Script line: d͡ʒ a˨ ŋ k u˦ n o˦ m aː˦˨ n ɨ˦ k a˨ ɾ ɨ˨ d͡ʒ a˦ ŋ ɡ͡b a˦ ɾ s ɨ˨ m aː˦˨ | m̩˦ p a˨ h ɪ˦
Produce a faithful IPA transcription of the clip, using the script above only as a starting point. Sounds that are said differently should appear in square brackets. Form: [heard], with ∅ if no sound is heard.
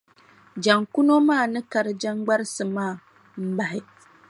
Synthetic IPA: d͡ʒ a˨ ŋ k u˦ n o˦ m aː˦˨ n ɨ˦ k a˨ ɾ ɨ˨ d͡ʒ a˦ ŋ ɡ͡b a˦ ɾ s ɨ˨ m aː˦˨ | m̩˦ [b] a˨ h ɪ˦